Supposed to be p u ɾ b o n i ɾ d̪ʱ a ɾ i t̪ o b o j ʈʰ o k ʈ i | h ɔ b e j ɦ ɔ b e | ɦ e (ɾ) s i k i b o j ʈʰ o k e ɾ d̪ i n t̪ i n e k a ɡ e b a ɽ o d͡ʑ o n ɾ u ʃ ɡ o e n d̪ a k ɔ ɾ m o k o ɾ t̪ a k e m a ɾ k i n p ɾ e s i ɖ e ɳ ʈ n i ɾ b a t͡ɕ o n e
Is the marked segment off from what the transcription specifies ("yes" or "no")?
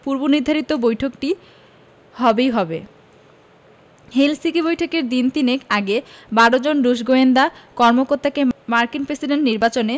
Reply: yes